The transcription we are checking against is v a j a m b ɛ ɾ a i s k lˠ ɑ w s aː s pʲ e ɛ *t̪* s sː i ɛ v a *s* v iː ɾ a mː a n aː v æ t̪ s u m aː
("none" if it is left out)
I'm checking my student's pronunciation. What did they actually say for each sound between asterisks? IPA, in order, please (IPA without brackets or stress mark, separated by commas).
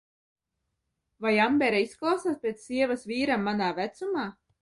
t̪, s